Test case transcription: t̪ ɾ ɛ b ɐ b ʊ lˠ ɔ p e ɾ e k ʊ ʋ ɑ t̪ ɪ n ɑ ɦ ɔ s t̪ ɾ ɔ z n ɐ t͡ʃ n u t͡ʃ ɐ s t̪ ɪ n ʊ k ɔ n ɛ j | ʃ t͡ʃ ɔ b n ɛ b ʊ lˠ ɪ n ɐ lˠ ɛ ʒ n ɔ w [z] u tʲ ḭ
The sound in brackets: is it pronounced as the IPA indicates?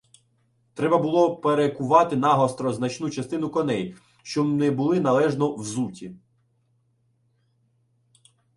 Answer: yes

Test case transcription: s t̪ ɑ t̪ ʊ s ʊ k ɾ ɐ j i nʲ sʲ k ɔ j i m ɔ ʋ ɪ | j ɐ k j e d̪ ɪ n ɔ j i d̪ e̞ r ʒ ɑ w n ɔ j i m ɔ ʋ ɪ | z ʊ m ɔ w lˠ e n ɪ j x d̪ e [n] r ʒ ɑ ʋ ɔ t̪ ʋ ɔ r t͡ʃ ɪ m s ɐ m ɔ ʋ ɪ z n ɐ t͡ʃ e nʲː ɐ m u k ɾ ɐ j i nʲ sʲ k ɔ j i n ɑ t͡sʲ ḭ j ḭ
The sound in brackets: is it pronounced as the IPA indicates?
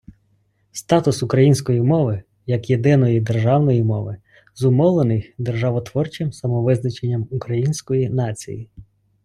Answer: no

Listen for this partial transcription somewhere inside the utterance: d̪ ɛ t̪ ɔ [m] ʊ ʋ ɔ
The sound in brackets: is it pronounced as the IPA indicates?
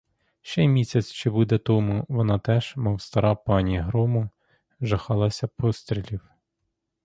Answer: yes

